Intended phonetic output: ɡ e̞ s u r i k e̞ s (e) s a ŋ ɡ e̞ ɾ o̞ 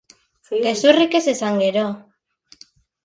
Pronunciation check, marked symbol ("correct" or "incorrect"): correct